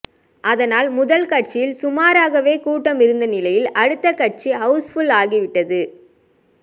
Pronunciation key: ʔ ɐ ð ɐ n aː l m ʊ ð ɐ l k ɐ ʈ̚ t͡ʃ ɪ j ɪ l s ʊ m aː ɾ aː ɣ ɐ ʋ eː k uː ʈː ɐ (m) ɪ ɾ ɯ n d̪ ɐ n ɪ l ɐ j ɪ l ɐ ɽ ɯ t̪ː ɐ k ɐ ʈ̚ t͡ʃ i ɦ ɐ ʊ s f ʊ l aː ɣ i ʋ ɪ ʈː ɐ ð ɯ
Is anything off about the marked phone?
no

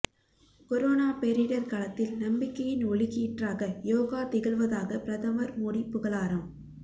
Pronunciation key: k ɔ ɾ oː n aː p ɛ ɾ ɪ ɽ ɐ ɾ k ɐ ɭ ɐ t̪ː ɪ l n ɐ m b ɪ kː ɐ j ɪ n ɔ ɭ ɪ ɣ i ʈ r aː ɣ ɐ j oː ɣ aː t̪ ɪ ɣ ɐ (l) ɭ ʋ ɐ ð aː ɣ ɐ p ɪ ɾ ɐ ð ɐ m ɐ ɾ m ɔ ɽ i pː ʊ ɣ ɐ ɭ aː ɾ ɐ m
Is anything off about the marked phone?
yes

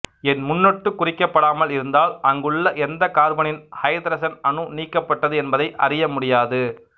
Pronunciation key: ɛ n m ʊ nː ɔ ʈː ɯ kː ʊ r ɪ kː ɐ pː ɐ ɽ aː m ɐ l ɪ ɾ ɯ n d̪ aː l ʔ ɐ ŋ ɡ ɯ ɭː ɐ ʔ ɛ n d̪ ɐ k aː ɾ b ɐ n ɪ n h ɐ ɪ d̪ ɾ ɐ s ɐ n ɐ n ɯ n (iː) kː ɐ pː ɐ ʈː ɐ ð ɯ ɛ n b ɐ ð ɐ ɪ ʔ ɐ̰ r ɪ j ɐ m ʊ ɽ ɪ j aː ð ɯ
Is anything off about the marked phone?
no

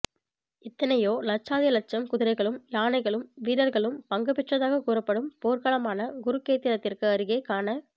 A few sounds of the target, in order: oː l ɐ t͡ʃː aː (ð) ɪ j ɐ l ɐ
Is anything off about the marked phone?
no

